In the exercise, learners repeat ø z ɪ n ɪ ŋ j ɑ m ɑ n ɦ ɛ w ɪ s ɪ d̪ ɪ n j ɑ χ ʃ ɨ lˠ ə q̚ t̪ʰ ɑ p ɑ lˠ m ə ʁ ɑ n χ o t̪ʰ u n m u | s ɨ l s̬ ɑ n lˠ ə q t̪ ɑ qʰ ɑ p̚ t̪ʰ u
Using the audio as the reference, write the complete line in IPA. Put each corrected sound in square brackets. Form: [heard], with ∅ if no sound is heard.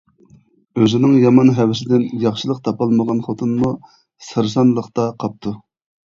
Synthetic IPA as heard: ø z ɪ n ɪ ŋ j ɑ m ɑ n ɦ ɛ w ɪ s ɪ d̪ ɪ n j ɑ χ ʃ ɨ lˠ ə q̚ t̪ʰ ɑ p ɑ lˠ m ə ʁ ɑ n χ o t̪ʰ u n m u | s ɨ [ɾ] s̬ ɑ n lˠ ə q t̪ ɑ qʰ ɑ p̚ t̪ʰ u